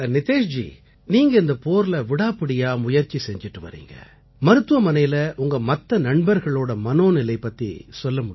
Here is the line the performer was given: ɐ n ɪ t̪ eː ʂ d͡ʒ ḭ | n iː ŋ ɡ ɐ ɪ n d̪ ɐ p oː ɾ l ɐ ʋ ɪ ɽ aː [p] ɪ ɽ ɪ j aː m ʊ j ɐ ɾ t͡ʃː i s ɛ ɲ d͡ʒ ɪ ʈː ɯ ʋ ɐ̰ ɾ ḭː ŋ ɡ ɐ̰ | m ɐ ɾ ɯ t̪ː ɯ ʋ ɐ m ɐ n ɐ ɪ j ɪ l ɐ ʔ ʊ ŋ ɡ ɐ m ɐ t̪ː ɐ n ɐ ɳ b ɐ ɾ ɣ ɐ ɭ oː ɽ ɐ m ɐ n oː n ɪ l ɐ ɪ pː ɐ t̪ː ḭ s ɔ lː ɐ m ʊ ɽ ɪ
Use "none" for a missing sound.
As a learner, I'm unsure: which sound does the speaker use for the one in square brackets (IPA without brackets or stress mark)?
p